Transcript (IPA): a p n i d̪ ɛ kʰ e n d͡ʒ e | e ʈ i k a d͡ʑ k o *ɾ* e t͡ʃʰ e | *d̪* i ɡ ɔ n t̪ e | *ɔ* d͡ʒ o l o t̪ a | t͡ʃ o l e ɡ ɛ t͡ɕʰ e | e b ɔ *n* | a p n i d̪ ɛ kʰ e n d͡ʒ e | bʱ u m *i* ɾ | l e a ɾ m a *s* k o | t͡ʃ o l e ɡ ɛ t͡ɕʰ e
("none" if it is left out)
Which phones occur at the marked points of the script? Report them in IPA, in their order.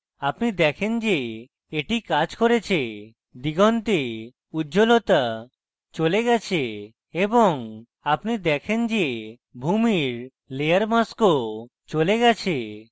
ɾ, d̪, u, ŋ, i, s

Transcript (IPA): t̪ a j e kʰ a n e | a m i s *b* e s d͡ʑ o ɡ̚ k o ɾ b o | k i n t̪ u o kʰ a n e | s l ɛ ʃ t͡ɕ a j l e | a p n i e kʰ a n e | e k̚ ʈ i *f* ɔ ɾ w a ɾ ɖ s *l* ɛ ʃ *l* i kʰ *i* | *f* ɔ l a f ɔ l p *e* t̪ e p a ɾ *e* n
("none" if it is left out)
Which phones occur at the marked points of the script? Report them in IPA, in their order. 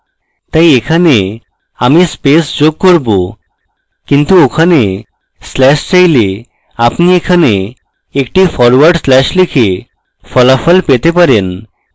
p, f, l, l, e, f, e, e

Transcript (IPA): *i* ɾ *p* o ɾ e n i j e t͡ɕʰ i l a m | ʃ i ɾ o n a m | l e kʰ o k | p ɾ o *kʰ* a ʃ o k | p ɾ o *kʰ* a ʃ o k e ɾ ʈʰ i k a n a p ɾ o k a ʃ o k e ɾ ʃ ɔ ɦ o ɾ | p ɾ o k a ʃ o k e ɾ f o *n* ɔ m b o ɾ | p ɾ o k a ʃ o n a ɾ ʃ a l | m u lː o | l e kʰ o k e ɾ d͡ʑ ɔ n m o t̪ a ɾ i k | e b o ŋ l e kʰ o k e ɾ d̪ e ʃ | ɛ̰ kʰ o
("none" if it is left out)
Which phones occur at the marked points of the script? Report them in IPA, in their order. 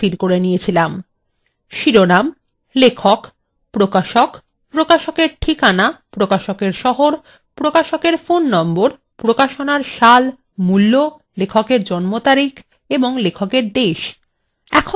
i, k, k, k, nː

